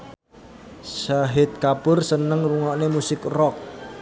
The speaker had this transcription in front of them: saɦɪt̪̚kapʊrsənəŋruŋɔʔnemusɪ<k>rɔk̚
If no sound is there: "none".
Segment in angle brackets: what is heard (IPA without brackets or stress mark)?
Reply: k